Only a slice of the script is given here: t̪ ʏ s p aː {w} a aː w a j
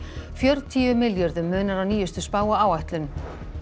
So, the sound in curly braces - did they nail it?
yes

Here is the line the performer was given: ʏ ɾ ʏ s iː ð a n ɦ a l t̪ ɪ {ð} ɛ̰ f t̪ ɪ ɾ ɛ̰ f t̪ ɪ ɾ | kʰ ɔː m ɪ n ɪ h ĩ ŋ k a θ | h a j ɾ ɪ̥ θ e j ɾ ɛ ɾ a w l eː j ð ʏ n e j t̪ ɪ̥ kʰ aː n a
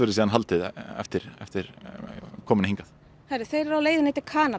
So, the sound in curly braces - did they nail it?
yes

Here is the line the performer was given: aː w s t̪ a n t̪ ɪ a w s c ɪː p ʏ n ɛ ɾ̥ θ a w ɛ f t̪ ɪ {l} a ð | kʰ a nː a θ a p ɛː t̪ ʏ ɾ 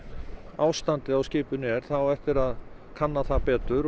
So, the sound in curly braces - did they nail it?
no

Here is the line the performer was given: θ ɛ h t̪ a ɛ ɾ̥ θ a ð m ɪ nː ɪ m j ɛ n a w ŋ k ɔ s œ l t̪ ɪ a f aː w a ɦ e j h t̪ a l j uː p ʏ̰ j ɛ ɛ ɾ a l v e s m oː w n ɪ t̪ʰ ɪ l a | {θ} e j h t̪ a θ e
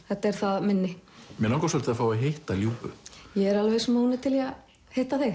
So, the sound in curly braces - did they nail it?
no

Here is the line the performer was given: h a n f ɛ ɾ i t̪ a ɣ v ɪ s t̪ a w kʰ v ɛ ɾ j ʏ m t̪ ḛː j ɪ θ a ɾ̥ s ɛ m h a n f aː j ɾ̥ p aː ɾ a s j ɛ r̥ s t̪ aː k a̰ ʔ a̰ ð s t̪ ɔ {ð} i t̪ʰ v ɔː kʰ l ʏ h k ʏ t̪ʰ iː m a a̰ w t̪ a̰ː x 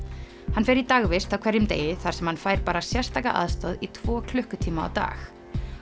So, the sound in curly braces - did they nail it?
yes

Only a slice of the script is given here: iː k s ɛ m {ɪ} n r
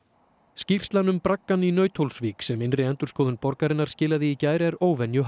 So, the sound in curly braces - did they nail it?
yes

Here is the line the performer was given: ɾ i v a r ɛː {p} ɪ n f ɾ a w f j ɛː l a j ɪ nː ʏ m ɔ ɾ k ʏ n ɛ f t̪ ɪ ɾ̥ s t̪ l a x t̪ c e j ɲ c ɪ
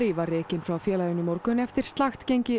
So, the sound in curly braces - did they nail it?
no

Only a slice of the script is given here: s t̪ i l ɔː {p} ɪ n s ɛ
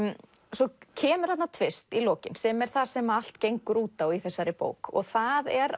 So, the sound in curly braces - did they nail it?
no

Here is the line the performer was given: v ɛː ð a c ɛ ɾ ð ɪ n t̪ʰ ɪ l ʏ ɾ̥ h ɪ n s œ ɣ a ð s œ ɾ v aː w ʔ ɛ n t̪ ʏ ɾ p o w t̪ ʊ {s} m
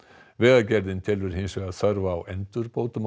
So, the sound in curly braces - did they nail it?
no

